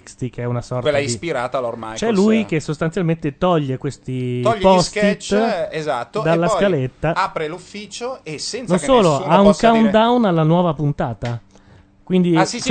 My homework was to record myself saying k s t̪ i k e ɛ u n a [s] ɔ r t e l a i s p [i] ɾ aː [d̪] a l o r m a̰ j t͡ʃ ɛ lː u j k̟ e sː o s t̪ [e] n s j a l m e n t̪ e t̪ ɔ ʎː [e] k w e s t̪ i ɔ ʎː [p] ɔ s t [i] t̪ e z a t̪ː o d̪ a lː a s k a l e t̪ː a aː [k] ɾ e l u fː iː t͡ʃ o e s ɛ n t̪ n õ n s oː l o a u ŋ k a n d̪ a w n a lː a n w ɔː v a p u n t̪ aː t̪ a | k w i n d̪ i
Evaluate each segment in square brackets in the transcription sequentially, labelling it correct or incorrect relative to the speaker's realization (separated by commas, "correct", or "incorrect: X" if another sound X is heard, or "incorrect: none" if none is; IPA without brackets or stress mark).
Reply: correct, correct, incorrect: t̪, incorrect: a, correct, correct, correct, incorrect: p